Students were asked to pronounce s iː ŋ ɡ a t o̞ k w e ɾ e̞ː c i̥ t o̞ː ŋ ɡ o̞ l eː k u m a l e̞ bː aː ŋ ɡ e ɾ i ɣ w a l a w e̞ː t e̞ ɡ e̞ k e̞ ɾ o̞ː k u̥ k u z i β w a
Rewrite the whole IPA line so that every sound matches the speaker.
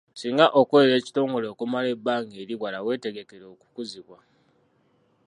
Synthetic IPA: s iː ŋ ɡ a ʔ o̞ k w e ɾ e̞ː c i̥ t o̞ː ŋ ɡ o̞ l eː k u m a l e̞ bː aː ŋ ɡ e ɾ i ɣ w a l a w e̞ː t e̞ ɡ e̞ k e̞ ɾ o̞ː k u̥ k u z i β w a